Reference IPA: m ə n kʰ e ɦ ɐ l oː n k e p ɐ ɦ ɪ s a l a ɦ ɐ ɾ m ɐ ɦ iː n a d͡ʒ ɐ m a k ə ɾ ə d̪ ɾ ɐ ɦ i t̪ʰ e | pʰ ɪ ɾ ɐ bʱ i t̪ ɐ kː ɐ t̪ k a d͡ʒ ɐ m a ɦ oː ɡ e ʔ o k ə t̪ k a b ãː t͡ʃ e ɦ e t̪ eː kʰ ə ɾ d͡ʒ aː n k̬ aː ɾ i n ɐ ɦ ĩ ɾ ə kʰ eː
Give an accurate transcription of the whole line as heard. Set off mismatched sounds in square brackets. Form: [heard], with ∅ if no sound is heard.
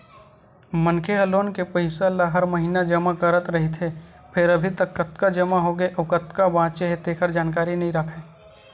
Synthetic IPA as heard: m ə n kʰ e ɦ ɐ l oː n k e p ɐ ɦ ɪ s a l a ɦ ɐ ɾ m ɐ ɦ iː n a d͡ʒ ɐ m a k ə ɾ ə [t̪] ɾ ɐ ɦ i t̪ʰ e | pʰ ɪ ɾ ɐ bʱ i t̪ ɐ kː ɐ t̪ k a d͡ʒ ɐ m a ɦ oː ɡ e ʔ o k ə t̪ k a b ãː t͡ʃ e ɦ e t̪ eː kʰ ə ɾ d͡ʒ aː n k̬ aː ɾ i n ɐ ɦ ĩ ɾ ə kʰ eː